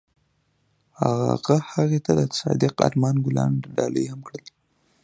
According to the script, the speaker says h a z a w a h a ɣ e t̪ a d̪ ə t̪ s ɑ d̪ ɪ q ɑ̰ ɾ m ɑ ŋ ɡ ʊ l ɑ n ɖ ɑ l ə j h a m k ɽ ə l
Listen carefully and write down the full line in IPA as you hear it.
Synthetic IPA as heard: h a ɣ a ɣ a h a ɣ e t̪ a d̪ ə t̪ s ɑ d̪ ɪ q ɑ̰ ɾ m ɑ n ɡ ʊ l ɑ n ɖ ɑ l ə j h a m k ɽ ə l